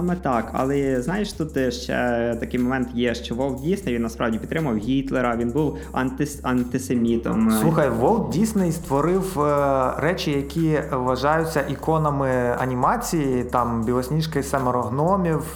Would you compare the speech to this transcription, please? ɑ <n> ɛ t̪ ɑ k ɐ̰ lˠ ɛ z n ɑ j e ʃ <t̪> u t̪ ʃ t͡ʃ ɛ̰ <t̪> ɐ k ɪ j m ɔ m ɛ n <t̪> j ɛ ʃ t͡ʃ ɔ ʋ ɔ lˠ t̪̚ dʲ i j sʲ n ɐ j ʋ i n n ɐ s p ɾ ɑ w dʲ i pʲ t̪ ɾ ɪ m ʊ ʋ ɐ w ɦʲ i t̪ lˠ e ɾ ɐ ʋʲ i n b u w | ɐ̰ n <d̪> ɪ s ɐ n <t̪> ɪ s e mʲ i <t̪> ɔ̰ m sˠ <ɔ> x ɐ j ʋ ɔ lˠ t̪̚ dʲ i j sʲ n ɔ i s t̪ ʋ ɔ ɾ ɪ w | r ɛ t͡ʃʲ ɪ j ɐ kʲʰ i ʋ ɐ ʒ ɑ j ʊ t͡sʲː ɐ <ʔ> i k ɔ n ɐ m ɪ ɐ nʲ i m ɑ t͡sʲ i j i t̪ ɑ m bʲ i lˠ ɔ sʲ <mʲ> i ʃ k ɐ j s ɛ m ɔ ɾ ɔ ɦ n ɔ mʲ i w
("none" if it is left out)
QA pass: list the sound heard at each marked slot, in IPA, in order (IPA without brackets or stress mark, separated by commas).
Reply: m, t̪, t̪, t̪, t̪, t̪, t̪, u, ʔ, nʲ